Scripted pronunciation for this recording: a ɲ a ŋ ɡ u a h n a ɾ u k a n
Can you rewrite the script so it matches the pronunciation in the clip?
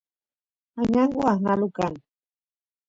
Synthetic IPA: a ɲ a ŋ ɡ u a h n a l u k a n